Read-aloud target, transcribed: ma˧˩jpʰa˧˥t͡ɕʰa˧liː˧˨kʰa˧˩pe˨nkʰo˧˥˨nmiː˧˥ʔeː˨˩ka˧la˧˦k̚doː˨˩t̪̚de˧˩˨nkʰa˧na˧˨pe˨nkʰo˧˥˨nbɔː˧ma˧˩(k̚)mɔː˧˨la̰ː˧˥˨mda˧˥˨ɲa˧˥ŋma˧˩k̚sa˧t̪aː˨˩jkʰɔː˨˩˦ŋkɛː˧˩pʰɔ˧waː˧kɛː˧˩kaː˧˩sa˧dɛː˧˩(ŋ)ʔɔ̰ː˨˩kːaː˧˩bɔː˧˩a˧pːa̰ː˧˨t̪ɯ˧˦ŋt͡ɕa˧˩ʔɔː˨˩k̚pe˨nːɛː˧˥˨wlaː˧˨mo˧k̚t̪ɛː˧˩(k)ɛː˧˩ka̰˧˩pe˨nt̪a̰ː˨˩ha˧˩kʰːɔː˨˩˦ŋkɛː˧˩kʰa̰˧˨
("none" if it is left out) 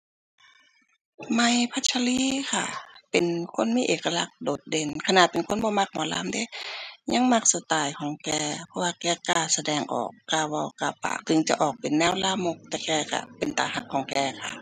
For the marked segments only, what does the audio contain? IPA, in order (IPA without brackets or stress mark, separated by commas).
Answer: k̚, ŋ, k